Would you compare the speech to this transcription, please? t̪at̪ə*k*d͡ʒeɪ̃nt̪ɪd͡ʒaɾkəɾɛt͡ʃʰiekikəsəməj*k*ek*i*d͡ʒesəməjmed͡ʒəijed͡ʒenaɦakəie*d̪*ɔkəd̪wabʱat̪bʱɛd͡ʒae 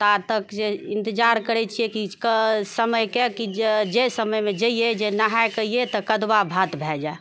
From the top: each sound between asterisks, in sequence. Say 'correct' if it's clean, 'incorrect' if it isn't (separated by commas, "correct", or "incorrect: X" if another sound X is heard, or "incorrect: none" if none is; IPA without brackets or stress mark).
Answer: correct, correct, correct, incorrect: t̪